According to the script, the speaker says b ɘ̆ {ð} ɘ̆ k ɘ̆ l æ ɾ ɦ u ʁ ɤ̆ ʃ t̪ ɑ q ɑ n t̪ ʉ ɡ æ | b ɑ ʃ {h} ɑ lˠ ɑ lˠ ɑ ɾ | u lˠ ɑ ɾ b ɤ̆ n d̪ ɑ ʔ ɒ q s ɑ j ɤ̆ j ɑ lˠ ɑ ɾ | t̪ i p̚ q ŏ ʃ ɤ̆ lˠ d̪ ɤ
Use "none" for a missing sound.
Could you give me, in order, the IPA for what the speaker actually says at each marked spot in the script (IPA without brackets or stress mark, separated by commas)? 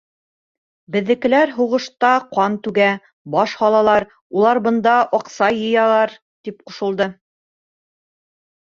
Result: ðː, h